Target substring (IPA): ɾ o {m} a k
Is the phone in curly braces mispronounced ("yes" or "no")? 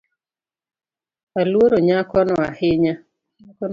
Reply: yes